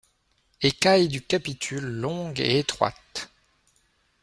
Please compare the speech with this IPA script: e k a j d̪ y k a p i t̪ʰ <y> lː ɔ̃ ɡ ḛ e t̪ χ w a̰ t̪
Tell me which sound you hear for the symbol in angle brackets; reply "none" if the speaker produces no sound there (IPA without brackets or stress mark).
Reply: y